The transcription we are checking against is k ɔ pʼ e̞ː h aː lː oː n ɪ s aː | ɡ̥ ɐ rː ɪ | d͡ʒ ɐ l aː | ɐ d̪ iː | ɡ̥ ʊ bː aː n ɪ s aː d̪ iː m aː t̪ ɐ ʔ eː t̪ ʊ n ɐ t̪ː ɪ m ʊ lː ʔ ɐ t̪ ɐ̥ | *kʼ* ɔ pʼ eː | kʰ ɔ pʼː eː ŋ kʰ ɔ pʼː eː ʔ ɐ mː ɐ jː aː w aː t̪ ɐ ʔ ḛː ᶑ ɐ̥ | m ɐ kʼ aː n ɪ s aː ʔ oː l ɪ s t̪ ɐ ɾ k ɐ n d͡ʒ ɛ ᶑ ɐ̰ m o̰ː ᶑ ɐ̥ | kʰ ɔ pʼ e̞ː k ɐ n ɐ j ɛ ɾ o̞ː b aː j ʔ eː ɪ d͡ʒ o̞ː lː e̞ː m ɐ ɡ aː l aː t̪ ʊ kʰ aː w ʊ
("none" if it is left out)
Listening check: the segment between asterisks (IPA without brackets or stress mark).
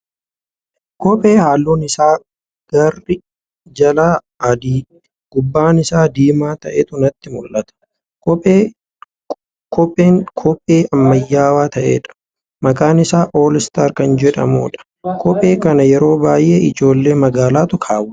k